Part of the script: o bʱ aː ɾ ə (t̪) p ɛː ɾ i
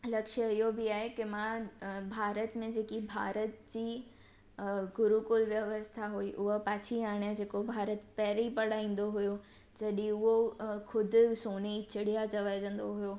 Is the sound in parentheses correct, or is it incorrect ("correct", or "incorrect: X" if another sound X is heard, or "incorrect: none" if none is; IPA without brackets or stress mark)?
correct